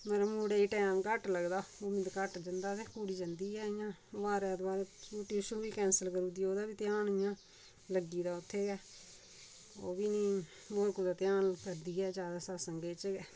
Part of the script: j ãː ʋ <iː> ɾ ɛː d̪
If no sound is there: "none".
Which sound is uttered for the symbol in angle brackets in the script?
aː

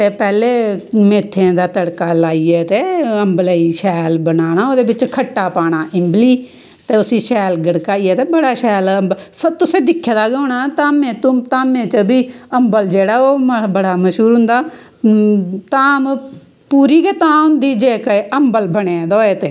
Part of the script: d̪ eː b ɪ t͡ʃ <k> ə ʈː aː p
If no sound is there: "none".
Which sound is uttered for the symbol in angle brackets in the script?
kʰ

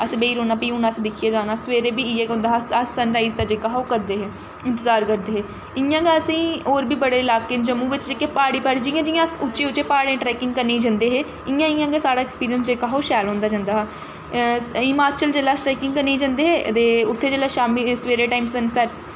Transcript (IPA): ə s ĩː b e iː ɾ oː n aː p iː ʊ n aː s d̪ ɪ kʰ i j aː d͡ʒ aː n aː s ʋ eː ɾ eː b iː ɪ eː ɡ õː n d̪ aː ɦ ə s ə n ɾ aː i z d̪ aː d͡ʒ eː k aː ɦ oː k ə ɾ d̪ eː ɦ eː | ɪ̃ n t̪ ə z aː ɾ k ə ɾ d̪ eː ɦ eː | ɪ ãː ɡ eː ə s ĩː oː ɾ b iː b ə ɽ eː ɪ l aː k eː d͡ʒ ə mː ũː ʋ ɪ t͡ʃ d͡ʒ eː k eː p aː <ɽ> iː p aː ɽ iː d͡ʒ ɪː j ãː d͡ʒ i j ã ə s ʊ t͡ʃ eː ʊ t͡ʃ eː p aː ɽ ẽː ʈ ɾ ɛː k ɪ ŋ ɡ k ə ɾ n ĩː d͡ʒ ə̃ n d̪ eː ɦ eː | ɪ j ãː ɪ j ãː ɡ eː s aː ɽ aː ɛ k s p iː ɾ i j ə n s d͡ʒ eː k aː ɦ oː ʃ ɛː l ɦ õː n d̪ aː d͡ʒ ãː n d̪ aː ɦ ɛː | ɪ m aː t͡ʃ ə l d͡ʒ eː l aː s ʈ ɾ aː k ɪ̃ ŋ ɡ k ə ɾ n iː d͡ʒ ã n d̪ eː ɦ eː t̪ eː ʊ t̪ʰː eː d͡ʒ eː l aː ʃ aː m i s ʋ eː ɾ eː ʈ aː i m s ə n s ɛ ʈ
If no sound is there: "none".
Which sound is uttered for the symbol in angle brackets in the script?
ɽ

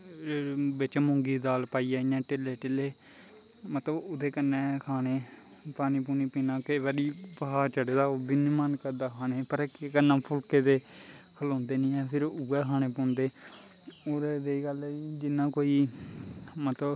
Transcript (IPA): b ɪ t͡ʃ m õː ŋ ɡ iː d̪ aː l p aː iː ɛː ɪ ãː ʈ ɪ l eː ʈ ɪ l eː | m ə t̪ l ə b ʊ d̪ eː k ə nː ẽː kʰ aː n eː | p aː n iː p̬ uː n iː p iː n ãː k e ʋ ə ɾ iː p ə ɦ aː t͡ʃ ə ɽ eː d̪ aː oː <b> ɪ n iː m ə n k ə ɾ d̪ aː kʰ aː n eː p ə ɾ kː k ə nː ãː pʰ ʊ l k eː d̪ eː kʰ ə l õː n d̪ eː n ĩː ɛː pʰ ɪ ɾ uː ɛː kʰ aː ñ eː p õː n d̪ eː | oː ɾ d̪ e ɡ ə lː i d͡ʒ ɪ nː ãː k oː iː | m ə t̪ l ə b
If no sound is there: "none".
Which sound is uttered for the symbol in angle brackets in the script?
b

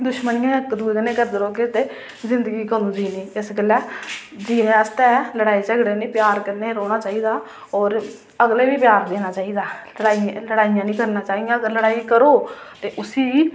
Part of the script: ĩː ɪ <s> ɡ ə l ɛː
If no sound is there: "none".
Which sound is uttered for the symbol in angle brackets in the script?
s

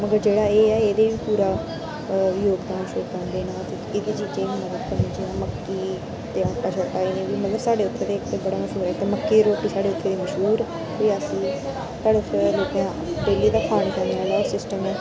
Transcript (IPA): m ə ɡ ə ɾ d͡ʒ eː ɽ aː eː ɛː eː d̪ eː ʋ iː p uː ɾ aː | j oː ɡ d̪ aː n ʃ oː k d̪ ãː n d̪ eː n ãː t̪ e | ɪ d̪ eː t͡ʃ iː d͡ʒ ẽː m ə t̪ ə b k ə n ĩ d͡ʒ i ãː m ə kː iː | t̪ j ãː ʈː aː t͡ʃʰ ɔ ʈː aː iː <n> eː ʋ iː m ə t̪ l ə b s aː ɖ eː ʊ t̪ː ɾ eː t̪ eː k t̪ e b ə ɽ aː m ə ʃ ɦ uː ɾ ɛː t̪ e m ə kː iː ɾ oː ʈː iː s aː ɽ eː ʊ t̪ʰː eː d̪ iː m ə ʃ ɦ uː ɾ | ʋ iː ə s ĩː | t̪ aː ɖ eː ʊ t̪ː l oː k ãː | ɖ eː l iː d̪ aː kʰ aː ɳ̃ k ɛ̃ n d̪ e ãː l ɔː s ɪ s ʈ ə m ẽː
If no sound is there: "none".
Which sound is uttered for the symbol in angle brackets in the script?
n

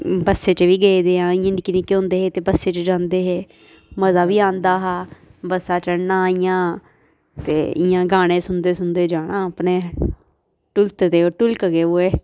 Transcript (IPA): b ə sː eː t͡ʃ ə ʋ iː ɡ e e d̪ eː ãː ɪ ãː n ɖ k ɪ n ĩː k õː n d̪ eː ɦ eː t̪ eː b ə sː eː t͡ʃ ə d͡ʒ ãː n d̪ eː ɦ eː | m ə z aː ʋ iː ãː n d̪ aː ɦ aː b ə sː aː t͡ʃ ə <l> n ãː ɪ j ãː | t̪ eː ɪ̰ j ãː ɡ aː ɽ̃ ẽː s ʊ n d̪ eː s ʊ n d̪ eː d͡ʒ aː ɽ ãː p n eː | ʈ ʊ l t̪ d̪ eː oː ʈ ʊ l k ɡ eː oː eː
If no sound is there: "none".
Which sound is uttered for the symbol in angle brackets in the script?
ɽ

